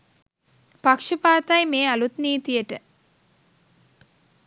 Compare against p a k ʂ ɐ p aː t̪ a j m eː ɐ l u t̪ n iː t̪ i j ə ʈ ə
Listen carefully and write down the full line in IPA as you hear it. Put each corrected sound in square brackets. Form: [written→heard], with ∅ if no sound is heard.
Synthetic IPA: p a k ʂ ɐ p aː t̪ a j m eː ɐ l u t̪ n iː t̪ i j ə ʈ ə